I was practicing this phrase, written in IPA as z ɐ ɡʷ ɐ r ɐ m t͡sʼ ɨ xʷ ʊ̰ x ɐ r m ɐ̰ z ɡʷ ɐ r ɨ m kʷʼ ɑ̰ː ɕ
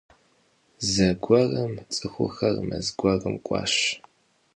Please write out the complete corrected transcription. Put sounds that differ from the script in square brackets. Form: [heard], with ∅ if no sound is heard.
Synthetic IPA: z ɐ ɡʷ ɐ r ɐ m t͡sʼ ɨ xʷ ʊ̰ x ɐ r m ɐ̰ z ɡʷ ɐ r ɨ m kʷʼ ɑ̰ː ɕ